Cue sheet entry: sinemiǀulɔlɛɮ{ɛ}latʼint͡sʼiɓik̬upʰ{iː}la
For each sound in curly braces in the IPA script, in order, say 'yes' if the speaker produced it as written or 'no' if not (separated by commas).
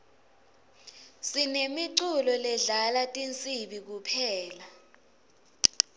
no, no